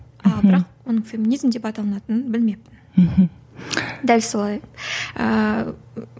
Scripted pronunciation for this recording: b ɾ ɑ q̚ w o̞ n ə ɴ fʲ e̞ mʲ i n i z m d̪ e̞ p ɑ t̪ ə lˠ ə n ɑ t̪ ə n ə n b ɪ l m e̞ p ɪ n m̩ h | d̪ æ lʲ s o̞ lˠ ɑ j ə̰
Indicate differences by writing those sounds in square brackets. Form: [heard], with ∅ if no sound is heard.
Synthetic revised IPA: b ɾ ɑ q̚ w o̞ n ə ɴ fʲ e̞ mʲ i n i z m d̪ e̞ p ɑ t̪ [ɑ] lˠ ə n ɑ t̪ ə n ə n b ɪ l m e̞ p ɪ n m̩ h | d̪ æ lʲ s o̞ lˠ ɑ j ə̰